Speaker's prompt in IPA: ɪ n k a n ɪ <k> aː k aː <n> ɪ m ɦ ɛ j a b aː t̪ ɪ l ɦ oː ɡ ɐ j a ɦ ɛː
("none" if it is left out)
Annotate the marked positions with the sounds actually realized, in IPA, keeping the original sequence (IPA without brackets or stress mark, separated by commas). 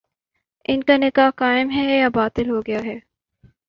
k, none